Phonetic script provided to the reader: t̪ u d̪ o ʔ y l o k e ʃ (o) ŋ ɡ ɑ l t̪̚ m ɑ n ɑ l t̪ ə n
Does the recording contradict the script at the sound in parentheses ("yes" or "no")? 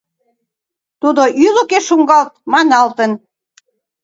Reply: yes